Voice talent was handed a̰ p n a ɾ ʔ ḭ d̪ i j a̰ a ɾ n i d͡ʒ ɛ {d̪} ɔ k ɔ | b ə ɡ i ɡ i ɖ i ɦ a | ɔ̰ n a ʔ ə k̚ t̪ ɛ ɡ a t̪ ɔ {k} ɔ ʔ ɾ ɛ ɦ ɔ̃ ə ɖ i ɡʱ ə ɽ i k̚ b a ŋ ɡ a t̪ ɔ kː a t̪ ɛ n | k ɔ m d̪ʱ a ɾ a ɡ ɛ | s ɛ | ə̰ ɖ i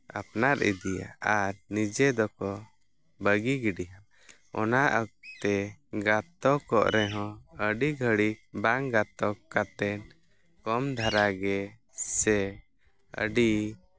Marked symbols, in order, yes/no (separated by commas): yes, yes